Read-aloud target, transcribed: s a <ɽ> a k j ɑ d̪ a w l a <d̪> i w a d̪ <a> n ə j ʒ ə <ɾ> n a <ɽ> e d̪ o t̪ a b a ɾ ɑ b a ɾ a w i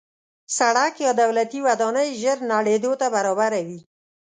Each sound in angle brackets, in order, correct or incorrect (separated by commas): correct, incorrect, incorrect, correct, correct